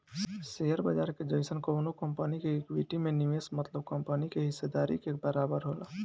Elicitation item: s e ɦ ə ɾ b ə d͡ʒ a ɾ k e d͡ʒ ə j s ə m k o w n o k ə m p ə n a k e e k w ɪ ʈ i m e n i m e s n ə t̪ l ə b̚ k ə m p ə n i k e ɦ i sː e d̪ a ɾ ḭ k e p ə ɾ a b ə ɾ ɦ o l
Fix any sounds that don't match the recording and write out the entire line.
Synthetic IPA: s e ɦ ə ɾ b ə d͡ʒ a ɾ k e d͡ʒ ə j s ə n k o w n o k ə m p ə n i k e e k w i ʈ i m e n i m e s m ə t̪ l ə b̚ k ə m p ə n i k e ɦ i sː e d̪ a ɾ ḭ k e b ə ɾ a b ə ɾ ɦ o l